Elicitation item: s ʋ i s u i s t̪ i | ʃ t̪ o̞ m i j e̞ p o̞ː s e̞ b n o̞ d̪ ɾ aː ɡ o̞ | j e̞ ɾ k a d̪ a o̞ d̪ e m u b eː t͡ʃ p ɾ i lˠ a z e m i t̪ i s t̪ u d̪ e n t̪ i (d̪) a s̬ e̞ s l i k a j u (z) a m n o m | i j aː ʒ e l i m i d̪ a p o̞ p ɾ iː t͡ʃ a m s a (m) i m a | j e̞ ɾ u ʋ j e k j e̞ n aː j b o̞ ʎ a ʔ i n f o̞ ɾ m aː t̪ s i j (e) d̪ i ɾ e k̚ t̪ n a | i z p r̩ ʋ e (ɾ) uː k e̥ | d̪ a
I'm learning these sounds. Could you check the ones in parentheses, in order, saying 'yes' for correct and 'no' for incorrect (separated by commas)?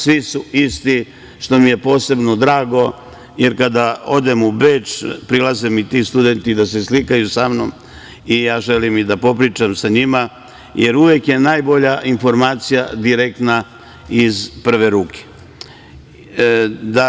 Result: yes, no, no, no, yes